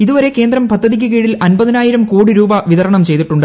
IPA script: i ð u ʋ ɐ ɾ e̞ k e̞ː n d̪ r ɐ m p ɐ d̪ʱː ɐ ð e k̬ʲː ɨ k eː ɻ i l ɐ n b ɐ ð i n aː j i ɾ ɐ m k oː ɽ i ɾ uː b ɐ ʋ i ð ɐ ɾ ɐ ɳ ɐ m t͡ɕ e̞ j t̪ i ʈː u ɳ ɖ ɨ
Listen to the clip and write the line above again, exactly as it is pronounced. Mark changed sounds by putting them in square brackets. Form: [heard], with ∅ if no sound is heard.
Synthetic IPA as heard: i ð u ʋ ɐ ɾ e̞ k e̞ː n d̪ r ɐ m p ɐ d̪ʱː ɐ ð [i] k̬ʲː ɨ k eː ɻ i l ɐ n b ɐ ð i n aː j i ɾ ɐ m k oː ɽ i ɾ uː b ɐ ʋ i ð ɐ ɾ ɐ ɳ ɐ m t͡ɕ e̞ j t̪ i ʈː u ɳ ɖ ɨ